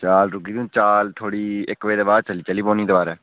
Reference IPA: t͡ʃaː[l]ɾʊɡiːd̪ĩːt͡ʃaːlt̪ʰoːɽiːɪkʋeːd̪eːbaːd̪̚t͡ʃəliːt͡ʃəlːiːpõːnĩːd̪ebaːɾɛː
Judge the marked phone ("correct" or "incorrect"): correct